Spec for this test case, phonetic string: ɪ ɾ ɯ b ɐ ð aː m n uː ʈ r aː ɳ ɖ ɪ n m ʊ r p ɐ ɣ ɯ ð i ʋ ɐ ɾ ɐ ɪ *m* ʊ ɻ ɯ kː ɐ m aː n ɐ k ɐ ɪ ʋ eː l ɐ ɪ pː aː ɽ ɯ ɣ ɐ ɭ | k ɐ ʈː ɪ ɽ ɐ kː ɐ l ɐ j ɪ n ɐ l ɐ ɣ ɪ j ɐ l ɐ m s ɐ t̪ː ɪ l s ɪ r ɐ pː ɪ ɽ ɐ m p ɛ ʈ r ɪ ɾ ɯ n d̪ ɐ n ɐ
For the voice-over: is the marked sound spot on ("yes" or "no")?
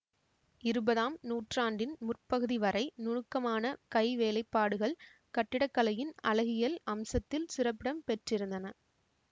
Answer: no